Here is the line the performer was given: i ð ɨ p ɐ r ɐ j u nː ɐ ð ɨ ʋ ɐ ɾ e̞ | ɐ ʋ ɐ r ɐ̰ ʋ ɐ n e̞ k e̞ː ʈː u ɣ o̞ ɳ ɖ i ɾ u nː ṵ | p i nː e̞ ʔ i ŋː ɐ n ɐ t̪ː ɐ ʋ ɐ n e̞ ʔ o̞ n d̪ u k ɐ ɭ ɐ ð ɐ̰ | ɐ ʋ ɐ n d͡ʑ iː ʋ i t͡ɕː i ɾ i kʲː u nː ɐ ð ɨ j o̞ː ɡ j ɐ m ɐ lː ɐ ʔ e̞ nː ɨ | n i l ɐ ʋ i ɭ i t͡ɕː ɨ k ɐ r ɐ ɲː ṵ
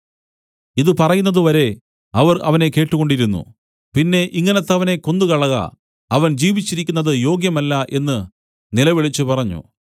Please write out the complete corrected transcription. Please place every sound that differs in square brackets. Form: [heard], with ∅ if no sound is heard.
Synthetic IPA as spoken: i ð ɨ p ɐ r ɐ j u nː ɐ ð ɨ ʋ ɐ ɾ e̞ | ɐ ʋ ɐ r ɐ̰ ʋ ɐ n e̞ k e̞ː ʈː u ɣ o̞ ɳ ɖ i ɾ u nː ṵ | p i nː e̞ ʔ i ŋː ɐ n ɐ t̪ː ɐ ʋ ɐ n e̞ [k] o̞ n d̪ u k ɐ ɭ ɐ [ɣ] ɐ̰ | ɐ ʋ ɐ n d͡ʑ iː ʋ i t͡ɕː i ɾ i kʲː u nː ɐ ð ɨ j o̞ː ɡ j ɐ m ɐ lː ɐ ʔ e̞ nː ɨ | n i l ɐ ʋ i ɭ i t͡ɕː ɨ [p] ɐ r ɐ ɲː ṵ